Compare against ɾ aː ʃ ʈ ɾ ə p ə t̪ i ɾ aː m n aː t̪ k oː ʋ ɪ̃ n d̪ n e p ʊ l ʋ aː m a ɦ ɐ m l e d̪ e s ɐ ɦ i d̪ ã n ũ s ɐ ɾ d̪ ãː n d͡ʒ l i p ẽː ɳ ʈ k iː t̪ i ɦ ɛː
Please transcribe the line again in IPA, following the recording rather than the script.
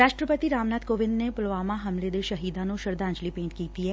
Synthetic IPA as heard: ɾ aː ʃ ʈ ɾ ə p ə t̪ i ɾ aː m n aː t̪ k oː ʋ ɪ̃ n d̪ n e p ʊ l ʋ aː m a ɦ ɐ m l e d̪ e ʃ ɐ ɦ iː d̪ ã n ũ ʃ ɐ ɾ d̪ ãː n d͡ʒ l i p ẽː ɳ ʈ k iː t̪ i ɦ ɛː